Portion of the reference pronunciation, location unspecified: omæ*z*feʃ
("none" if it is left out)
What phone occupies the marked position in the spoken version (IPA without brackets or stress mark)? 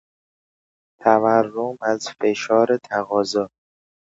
z